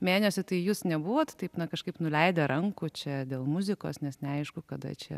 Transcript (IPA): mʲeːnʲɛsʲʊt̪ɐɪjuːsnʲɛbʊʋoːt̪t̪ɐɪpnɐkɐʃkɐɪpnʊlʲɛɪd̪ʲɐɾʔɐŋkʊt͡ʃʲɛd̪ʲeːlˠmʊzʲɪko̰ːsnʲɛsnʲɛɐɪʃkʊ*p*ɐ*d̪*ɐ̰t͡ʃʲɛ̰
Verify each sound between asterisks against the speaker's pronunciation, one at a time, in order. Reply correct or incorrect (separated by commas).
incorrect, correct